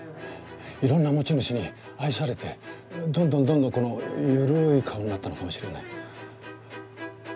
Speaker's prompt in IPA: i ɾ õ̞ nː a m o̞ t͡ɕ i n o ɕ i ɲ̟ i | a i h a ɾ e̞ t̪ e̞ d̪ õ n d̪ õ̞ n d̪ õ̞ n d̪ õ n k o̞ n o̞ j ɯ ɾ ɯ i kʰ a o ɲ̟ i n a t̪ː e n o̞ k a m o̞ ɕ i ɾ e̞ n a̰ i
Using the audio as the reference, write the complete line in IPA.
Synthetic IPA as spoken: i ɾ õ̞ nː a m o̞ t͡ɕ i n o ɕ i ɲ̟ i | a i s a ɾ e̞ t̪ e̞ d̪ õ n d̪ õ̞ n d̪ õ̞ n d̪ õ ŋ k o̞ n o̞ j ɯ ɾ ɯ i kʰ a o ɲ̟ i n a t̪ː a n o̞ k a m o̞ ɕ i ɾ e̞ n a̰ i